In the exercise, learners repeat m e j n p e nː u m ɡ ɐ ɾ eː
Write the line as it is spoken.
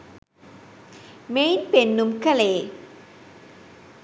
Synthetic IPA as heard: m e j n p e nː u m k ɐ l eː